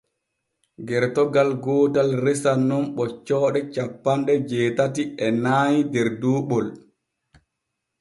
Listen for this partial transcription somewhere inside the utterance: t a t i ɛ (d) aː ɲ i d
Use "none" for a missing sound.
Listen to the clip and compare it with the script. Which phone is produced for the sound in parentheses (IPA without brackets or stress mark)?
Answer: n